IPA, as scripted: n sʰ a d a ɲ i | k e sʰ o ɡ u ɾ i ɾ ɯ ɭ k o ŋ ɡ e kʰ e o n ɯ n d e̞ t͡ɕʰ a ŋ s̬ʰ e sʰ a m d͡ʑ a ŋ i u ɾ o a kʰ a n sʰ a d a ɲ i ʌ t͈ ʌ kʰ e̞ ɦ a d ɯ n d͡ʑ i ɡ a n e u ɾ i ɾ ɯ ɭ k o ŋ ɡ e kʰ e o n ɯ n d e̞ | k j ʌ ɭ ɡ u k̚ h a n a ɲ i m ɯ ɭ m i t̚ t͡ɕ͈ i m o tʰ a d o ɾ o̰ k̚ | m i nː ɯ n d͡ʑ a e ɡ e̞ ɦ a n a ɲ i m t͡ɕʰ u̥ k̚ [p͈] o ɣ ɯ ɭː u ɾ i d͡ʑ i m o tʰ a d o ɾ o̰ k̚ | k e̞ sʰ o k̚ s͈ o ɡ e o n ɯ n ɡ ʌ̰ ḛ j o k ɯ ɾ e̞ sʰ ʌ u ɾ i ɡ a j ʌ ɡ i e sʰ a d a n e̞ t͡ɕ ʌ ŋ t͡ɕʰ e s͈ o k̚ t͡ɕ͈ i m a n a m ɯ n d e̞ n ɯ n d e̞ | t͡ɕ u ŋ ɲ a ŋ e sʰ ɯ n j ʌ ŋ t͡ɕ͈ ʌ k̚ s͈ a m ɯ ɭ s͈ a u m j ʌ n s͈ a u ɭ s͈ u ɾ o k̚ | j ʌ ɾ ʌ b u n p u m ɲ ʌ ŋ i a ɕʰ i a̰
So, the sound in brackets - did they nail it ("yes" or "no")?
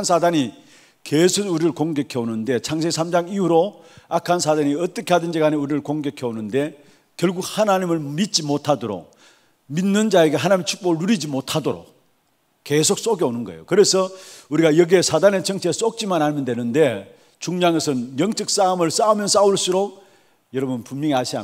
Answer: yes